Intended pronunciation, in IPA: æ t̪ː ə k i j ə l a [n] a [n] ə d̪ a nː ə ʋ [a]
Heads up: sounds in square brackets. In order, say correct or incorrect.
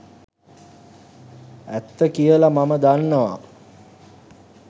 incorrect, incorrect, correct

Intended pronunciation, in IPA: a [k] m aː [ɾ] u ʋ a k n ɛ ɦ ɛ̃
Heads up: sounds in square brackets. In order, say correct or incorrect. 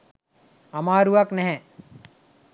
incorrect, correct

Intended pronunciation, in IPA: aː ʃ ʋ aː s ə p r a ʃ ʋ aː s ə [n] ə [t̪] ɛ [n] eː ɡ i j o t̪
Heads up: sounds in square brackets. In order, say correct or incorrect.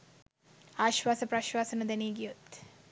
correct, incorrect, correct

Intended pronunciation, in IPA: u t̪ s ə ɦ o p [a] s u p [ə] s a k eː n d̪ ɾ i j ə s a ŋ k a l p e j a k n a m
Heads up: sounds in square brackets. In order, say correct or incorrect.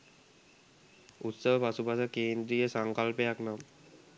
correct, incorrect

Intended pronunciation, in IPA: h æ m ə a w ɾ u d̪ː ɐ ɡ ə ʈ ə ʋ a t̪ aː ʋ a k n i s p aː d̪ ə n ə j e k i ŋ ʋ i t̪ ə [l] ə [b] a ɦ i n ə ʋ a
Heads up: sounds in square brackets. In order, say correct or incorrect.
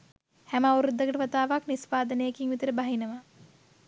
incorrect, correct

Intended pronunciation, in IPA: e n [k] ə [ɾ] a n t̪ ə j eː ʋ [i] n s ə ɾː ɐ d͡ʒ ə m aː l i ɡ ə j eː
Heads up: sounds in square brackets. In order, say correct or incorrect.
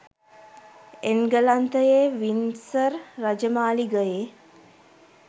incorrect, incorrect, correct

